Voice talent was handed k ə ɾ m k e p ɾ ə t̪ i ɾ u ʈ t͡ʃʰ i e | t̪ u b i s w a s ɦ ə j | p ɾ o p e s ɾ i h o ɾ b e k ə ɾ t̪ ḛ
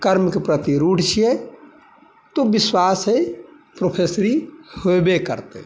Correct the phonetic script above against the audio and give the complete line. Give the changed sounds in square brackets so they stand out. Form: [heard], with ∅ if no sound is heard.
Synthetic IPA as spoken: k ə ɾ m k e p ɾ ə t̪ i ɾ u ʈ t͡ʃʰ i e | t̪ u b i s w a s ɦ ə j | p ɾ o [pʰ] e s ɾ i h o [∅] b e k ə ɾ t̪ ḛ